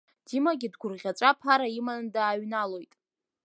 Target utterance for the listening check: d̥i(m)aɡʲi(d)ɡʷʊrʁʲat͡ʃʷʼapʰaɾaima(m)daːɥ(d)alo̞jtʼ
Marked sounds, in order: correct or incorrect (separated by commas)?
correct, correct, incorrect, incorrect